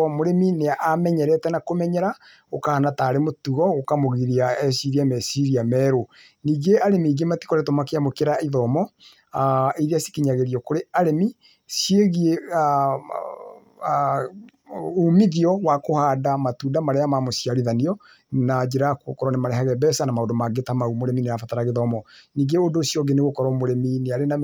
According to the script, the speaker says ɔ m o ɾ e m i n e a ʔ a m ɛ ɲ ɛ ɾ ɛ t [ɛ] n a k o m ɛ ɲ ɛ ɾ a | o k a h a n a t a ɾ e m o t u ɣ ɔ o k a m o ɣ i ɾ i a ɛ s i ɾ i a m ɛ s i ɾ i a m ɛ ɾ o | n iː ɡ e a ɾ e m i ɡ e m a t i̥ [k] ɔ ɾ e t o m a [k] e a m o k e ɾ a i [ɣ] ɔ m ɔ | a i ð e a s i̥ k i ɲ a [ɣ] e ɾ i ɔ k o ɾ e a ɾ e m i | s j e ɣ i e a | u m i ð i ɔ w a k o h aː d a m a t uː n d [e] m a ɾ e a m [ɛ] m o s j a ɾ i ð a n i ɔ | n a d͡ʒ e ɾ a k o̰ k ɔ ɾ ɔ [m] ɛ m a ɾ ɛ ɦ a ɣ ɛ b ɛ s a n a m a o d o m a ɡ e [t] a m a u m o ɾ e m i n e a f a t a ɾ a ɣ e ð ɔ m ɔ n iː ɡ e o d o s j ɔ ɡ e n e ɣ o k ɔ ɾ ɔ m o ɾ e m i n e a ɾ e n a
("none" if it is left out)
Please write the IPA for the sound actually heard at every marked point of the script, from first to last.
ɛ, k, k, ð, ɣ, a, a, n, t

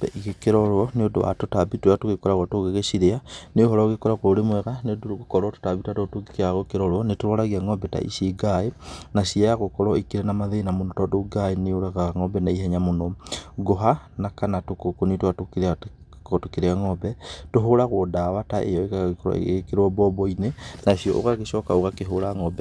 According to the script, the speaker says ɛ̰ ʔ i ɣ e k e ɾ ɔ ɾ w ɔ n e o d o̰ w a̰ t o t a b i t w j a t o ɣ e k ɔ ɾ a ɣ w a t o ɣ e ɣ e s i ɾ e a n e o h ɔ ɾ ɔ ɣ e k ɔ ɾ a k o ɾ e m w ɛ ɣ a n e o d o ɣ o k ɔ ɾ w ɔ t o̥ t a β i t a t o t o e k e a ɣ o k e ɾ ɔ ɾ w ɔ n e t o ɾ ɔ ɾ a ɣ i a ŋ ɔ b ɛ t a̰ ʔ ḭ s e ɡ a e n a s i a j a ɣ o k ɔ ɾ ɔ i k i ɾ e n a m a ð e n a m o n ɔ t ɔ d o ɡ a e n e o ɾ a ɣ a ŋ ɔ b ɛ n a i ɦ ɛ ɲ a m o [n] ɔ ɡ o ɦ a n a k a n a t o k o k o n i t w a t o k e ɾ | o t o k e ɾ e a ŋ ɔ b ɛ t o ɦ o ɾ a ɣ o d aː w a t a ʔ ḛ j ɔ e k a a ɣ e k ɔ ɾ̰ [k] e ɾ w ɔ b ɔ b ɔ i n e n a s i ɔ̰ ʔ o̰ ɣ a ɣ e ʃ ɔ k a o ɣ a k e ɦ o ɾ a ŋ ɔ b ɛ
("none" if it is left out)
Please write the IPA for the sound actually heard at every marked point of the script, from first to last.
n, k

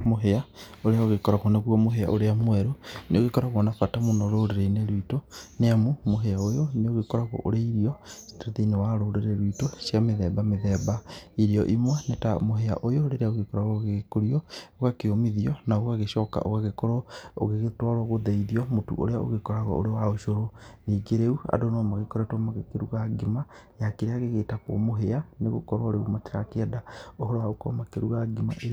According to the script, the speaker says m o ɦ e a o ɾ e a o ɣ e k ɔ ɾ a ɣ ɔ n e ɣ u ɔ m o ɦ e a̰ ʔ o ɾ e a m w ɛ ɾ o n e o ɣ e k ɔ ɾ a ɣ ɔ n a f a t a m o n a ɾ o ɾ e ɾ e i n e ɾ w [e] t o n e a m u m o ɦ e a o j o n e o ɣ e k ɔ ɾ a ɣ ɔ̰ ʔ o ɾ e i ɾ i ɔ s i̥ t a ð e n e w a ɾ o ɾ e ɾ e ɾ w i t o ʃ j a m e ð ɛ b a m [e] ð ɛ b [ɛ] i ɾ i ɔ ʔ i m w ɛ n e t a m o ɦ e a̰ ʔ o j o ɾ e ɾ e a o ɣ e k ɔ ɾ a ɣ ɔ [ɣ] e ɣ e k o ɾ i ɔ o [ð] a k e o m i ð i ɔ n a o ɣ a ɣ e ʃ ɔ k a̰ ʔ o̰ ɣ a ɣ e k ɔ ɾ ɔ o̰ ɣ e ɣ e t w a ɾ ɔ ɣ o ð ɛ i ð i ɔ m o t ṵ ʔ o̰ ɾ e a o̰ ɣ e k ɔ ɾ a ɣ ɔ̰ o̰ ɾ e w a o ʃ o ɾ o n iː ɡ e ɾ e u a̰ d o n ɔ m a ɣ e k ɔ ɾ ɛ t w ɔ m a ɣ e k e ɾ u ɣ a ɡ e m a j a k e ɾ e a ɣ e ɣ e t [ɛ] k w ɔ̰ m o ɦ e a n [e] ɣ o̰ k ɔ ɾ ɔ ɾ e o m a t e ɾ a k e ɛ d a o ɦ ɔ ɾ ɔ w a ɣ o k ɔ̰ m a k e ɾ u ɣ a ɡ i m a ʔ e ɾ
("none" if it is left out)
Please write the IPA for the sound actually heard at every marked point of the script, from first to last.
i, e, a, ɣ, ɣ, a, e

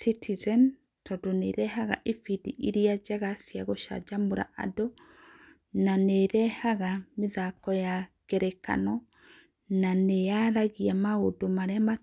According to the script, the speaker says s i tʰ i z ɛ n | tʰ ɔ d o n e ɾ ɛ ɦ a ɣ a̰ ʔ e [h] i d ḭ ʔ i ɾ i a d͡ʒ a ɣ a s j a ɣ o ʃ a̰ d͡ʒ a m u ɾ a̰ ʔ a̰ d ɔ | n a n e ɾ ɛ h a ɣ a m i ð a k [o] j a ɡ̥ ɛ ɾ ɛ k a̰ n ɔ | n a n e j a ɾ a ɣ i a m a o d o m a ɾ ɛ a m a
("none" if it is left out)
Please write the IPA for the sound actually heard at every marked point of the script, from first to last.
f, ɔ

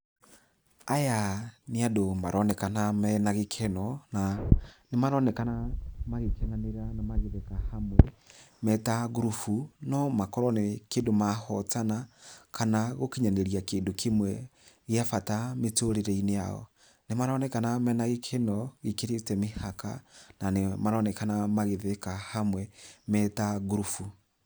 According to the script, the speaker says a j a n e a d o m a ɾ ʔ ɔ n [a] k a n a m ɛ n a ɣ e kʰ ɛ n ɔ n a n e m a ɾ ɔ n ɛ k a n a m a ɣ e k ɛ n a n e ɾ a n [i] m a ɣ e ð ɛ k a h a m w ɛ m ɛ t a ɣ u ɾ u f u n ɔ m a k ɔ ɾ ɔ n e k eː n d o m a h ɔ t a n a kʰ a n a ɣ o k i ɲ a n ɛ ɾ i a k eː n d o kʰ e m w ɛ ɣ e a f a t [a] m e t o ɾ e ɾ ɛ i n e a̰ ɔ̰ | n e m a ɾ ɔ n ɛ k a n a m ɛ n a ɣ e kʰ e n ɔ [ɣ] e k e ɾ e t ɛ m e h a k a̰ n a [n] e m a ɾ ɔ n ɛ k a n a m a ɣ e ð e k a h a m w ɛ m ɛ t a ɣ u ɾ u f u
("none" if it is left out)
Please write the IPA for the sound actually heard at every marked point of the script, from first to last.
ɛ, a, a, ɣ, n

